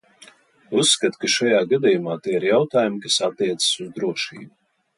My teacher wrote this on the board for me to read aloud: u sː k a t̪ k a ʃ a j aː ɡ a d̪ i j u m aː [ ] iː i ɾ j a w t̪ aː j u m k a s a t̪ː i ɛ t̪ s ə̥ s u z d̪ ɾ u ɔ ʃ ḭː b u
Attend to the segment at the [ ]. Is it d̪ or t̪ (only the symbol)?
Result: t̪